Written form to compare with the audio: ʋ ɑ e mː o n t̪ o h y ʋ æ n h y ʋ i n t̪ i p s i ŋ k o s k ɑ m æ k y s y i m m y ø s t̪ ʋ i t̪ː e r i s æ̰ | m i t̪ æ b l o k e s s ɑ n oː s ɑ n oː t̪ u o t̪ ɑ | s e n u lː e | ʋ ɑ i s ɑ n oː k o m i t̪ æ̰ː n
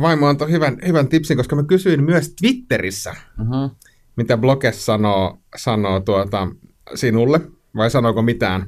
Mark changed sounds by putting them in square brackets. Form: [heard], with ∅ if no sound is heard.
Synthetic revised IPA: ʋ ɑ [i] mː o n t̪ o h y ʋ æ n h y ʋ [æ] n t̪ i p s i ŋ k o s k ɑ m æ k y s y i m m y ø s t̪ ʋ i t̪ː e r i [sː] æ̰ | m i t̪ æ b l o k e s s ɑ n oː s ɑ n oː t̪ u o t̪ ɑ | s [i] n u lː e | ʋ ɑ i s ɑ n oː k o m i t̪ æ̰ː n